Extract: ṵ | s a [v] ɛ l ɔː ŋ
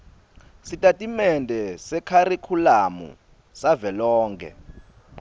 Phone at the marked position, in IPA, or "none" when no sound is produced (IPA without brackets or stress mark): v